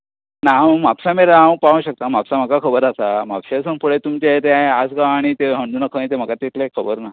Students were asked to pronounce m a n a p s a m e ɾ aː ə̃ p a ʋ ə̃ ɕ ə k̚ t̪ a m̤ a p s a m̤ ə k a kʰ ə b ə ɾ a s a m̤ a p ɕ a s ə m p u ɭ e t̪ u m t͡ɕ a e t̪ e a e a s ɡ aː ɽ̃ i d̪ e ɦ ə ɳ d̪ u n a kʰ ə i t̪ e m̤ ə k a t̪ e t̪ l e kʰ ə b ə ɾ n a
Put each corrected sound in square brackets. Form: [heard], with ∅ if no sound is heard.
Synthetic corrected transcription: [n] a [m] a p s a m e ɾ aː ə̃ p a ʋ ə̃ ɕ ə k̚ t̪ a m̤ a p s a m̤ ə k a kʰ ə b ə ɾ a s a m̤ a p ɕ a s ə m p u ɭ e t̪ u m t͡ɕ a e t̪ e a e a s ɡ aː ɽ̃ i [t̪] e ɦ ə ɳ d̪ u n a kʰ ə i t̪ e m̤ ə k a t̪ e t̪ l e kʰ ə b ə ɾ n a

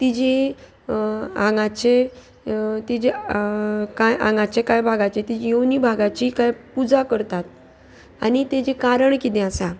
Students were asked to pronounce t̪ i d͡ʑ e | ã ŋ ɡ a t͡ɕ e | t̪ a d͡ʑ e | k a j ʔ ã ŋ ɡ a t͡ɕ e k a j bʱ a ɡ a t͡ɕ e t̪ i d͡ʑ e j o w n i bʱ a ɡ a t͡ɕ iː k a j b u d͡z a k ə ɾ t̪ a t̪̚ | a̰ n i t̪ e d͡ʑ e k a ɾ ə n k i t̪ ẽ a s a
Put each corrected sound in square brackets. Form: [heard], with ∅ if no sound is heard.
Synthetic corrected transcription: t̪ i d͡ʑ e | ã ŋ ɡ a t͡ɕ e | t̪ [i] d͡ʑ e | k a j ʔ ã ŋ ɡ a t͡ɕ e k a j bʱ a ɡ a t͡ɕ e t̪ i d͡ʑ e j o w n i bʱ a ɡ a t͡ɕ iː k a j [p] u d͡z a k ə ɾ t̪ a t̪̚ | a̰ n i t̪ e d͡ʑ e k a ɾ ə [ɳ] k i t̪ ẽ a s a

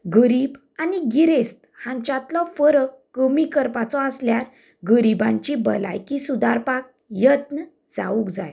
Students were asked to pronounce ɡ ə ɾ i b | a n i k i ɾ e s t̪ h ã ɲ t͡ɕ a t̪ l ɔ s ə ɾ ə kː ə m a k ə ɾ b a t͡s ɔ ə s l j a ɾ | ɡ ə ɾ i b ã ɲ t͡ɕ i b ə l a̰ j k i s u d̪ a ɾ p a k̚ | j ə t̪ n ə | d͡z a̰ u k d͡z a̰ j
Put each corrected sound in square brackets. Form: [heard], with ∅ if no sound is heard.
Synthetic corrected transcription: ɡ ə ɾ i b | a n i [ɡ] i ɾ e s t̪ h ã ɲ t͡ɕ a t̪ l ɔ [f] ə ɾ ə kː ə m [i] k ə ɾ [p] a t͡s ɔ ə s l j a ɾ | ɡ ə ɾ i b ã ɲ t͡ɕ i b ə l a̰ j k i s u d̪ a ɾ p a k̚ | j ə t̪ n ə | d͡z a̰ u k d͡z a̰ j

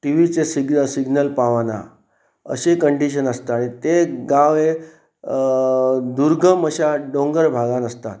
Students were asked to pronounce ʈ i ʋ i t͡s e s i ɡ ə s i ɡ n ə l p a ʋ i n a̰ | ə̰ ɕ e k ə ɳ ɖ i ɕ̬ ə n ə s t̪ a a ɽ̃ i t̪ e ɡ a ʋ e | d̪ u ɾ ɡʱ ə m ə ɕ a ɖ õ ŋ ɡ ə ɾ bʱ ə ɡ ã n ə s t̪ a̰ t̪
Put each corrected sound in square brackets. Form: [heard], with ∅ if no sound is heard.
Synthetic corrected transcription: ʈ i ʋ i t͡s e s i ɡ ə s i ɡ n ə l p a ʋ [a] n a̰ | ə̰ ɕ e k ə ɳ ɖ i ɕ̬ ə n ə s t̪ a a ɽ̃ i t̪ e ɡ a ʋ e | d̪ u ɾ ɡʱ ə m ə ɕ a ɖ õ ŋ ɡ ə ɾ bʱ [a] ɡ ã n ə s t̪ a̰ t̪

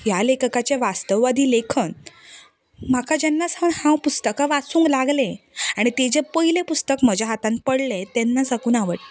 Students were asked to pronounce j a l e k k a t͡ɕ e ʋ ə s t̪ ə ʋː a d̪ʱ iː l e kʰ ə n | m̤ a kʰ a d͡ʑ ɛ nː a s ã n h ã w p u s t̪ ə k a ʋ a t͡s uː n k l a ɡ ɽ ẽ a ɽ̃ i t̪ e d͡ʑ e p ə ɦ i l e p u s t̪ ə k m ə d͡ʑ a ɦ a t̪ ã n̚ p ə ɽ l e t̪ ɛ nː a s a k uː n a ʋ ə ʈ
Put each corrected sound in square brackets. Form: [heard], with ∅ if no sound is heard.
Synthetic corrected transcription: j a l e k k a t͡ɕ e ʋ [a] s t̪ ə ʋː a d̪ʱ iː l e kʰ ə n | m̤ a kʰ a d͡ʑ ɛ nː a s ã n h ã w p u s t̪ ə k a ʋ a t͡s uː [ŋ] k l a ɡ [l] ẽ a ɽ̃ i t̪ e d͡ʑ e p ə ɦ i l e p u s t̪ ə k m ə d͡ʑ a ɦ a t̪ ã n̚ p ə ɽ l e t̪ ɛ nː a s a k uː n a ʋ ə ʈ

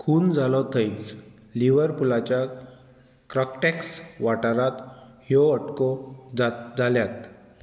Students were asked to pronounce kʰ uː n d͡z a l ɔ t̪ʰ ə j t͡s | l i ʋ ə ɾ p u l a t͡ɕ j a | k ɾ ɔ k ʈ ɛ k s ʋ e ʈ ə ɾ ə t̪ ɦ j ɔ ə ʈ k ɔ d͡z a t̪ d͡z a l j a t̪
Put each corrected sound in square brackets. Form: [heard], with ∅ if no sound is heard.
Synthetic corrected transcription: kʰ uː n d͡z a l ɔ t̪ʰ ə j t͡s | l i ʋ ə ɾ p u l a t͡ɕ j a | k ɾ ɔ k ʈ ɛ k s ʋ [a] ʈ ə ɾ [a] t̪ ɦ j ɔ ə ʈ k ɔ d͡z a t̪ d͡z a l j a t̪

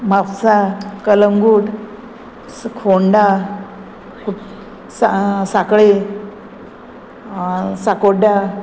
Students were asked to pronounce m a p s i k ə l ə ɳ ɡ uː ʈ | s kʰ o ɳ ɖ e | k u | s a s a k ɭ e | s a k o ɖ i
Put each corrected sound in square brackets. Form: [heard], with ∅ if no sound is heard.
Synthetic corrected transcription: m a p s [a] k ə l ə [ŋ] ɡ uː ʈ | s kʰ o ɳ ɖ [a] | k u | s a s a k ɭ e | s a k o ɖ [a]

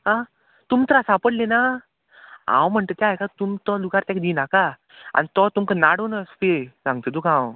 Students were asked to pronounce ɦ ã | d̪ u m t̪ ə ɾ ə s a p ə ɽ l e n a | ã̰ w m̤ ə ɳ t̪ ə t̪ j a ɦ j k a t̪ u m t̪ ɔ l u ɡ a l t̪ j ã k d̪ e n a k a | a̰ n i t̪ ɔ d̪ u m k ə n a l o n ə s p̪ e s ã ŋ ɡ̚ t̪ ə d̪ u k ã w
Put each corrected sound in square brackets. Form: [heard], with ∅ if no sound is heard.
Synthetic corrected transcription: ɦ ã | [t̪] u m t̪ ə ɾ [a] s a p ə ɽ l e n a | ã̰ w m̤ ə ɳ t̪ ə t̪ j a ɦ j k a t̪ u m t̪ ɔ l u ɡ a [ɾ] t̪ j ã k d̪ [i] n a k a | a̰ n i t̪ ɔ [t̪] u m k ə n a [ɽ] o n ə s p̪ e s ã ŋ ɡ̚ t̪ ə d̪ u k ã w

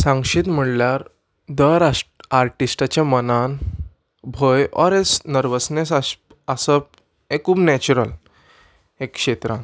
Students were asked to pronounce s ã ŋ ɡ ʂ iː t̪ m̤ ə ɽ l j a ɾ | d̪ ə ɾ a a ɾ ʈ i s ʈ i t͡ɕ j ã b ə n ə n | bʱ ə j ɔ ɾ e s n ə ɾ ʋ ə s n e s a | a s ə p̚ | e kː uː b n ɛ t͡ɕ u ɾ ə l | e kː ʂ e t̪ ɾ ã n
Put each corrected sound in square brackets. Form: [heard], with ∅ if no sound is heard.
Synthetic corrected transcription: s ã ŋ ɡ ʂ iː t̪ m̤ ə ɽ l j a ɾ | d̪ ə ɾ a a ɾ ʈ i s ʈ [a] t͡ɕ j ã [m] ə n [a] n | bʱ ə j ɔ ɾ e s n ə ɾ ʋ ə s n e s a | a s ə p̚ | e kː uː b n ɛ t͡ɕ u ɾ ə l | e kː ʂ e t̪ ɾ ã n

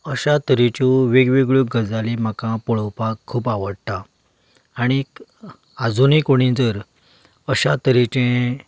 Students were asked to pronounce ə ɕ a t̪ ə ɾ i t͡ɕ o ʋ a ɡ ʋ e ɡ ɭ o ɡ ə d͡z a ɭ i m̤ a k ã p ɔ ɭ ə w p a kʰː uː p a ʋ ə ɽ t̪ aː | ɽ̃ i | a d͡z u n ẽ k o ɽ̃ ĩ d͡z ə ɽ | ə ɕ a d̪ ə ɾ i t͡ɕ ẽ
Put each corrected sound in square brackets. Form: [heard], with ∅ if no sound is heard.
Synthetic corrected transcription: ə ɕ a t̪ ə ɾ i t͡ɕ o ʋ [e] ɡ ʋ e ɡ ɭ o ɡ ə d͡z a [l] i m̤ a k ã p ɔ ɭ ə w p a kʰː uː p a ʋ ə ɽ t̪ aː | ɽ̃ i | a d͡z u n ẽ k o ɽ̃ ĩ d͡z ə [ɾ] | ə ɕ a [t̪] ə ɾ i t͡ɕ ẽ

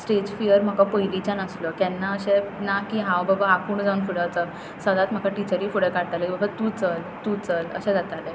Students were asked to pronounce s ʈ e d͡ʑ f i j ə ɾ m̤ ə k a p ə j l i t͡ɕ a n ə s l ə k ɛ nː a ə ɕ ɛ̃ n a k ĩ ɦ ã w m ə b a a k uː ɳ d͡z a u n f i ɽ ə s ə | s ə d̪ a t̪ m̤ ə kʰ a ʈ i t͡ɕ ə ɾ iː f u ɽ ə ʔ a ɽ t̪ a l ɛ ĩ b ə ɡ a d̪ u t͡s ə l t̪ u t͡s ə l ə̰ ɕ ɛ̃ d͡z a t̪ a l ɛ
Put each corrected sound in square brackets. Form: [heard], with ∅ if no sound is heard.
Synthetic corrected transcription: s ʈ e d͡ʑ f i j ə ɾ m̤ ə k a p ə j l i t͡ɕ a n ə s l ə k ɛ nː a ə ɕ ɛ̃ n a k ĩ ɦ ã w [b] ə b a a k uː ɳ d͡z a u n f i ɽ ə [t͡s] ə | s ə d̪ a t̪ m̤ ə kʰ a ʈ i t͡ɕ ə ɾ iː f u ɽ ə [k] a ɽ t̪ a l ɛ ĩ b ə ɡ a [t̪] u t͡s ə l t̪ u t͡s ə l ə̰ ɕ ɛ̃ d͡z a t̪ a l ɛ

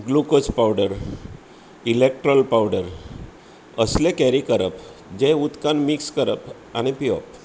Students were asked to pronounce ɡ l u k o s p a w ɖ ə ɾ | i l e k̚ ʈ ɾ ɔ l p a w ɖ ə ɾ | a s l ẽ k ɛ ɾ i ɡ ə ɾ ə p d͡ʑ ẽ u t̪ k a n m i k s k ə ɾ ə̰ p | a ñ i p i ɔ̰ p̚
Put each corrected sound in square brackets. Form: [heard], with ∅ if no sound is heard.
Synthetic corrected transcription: ɡ l u k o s p a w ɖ ə ɾ | i l e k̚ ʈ ɾ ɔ l p a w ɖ ə ɾ | [ə] s l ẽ k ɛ ɾ i [k] ə ɾ ə p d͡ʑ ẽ u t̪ k a n m i k s k ə ɾ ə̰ p | a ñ i p i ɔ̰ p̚

